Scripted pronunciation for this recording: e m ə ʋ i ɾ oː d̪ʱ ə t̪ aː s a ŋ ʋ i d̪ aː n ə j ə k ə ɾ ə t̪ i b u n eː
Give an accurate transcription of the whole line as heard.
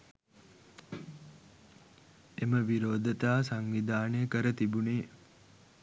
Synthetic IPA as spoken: e m ə ʋ i ɾ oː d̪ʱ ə t̪ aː s a ŋ ʋ i d̪ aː n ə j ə k ə ɾ ə t̪ i b u n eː